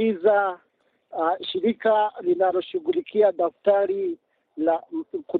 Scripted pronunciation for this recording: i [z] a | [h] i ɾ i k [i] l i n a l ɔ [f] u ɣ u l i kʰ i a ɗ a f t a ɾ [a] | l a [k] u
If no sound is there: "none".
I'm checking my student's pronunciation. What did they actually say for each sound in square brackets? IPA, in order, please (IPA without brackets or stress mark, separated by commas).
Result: z, ʃ, a, ʃ, i, k